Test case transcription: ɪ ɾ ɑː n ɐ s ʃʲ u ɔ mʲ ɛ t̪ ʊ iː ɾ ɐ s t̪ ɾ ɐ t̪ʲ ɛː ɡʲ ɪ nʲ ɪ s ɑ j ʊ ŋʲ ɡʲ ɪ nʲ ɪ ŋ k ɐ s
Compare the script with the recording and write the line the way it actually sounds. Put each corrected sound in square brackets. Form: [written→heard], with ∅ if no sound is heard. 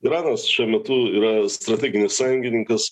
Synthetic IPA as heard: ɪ ɾ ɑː n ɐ s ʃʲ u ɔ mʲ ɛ t̪ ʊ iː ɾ ɐ s t̪ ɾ ɐ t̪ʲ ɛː ɡʲ ɪ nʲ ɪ s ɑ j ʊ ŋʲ ɡʲ ɪ nʲ ɪ ŋ k ɐ s